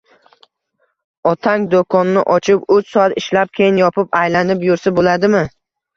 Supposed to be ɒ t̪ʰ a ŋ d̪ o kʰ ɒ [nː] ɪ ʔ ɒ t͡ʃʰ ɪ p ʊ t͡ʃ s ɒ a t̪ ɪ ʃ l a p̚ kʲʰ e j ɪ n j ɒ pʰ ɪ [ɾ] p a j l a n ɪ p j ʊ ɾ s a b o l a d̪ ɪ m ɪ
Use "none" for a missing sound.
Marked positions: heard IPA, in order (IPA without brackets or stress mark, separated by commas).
nː, none